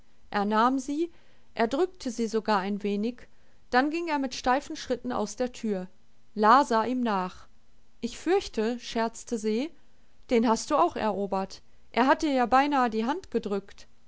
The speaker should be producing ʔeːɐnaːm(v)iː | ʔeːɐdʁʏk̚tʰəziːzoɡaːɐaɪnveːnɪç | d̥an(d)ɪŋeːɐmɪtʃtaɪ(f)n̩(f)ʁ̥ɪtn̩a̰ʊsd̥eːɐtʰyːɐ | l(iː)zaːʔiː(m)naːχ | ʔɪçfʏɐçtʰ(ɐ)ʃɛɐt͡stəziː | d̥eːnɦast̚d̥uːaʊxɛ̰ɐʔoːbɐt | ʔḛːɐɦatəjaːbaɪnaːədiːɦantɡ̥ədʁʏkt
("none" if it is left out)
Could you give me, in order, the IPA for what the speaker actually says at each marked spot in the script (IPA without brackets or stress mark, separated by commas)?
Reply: z, ɡ, f, ʃ, aː, m, ə